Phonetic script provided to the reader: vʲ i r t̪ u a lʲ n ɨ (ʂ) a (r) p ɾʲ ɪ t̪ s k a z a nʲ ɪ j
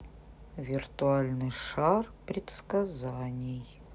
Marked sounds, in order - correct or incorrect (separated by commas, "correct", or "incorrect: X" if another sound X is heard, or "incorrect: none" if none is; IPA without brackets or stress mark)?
correct, correct